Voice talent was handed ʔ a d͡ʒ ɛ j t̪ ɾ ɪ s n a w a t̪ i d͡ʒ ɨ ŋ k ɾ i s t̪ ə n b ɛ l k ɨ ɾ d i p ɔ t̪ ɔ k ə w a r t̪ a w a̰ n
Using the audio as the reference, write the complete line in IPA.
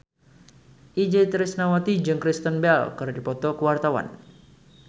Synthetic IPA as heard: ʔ i d͡ʒ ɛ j t̪ ɾ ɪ s n a w a t̪ i d͡ʒ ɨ ŋ k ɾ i s t̪ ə n b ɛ l k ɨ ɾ d i p ɔ t̪ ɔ k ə w a r t̪ a w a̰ n